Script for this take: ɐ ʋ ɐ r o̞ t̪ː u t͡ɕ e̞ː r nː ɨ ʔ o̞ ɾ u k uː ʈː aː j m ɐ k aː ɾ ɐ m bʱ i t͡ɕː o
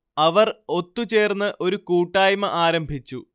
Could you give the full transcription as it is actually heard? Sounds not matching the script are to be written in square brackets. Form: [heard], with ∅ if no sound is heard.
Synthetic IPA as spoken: ɐ ʋ ɐ r o̞ t̪ː u t͡ɕ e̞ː r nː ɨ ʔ o̞ ɾ u k uː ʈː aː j m ɐ [ʔ] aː ɾ ɐ m bʱ i t͡ɕː [u]